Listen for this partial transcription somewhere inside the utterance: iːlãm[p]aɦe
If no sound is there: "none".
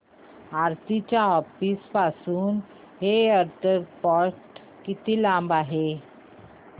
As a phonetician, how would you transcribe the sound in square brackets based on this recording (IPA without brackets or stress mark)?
b